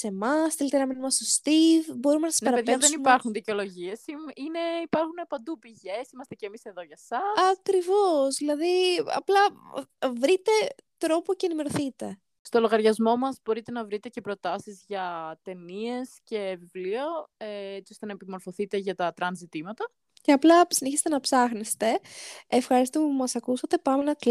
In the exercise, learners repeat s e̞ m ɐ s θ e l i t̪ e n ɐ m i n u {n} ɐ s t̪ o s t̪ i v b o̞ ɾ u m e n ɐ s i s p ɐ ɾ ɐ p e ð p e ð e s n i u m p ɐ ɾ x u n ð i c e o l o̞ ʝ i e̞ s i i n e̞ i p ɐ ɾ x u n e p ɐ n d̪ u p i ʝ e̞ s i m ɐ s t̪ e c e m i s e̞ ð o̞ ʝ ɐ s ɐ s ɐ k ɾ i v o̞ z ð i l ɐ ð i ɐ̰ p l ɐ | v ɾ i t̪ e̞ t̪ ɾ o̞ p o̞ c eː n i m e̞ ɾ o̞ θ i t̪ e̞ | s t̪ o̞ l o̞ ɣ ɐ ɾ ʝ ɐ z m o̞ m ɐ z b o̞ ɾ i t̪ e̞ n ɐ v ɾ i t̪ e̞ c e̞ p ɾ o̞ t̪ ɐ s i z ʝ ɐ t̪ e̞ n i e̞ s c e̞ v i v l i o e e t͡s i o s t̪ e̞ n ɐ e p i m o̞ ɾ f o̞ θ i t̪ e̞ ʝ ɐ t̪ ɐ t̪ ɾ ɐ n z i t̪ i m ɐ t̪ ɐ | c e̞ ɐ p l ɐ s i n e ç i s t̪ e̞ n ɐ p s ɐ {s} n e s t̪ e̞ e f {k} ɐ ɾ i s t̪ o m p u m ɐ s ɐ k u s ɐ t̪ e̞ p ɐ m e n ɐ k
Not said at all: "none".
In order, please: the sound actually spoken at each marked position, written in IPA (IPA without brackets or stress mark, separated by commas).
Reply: m, x, x